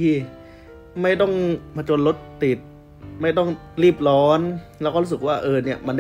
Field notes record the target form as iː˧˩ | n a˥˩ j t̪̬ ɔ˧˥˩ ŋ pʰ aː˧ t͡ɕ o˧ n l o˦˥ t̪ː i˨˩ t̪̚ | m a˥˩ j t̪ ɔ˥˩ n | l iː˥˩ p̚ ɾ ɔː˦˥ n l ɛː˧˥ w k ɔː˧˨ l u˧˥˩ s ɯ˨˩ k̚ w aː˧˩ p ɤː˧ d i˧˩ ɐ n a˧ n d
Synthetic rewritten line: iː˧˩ | m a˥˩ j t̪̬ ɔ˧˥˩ ŋ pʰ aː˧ t͡ɕ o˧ n l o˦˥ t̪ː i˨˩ t̪̚ | m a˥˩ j t̪ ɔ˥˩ ŋ | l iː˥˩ p̚ l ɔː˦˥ n l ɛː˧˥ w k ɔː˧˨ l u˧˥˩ s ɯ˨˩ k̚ w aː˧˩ ʔ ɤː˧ n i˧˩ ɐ m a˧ n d